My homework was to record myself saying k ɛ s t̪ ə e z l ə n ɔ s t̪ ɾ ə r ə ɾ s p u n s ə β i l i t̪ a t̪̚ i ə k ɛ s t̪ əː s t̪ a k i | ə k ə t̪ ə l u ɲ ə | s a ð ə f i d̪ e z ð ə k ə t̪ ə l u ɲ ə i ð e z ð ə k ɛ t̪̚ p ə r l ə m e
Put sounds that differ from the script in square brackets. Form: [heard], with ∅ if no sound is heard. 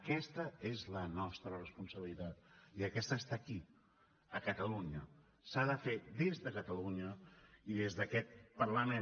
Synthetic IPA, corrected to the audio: k ɛ s t̪ ə e z l ə n ɔ s t̪ ɾ ə r ə [∅] s p u n s ə β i l i t̪ a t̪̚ i ə k ɛ s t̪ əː s t̪ a k i | ə k ə t̪ ə l u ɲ ə | s a ð ə f [e] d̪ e z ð ə k ə t̪ ə l u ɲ ə i ð e z ð ə k ɛ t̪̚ p ə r l ə m e